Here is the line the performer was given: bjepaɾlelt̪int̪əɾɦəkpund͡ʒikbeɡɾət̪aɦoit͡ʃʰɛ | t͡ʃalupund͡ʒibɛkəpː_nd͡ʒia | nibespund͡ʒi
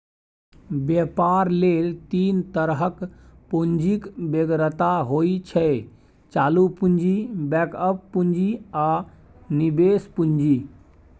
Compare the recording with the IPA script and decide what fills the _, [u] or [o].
u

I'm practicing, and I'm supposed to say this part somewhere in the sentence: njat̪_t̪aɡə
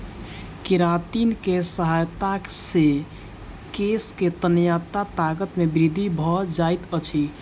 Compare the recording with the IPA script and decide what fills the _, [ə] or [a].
a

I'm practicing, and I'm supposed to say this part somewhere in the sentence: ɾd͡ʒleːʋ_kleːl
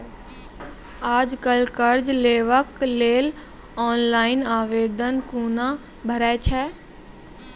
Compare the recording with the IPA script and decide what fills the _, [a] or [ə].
ə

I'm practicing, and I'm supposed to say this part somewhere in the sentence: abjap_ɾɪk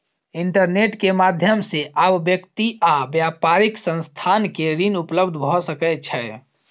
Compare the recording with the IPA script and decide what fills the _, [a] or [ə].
a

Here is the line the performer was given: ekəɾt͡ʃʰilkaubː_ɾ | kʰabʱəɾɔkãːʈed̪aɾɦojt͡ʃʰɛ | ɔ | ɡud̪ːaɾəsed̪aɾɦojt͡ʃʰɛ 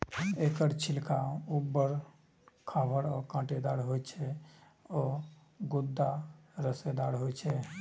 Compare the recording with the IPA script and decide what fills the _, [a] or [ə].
ə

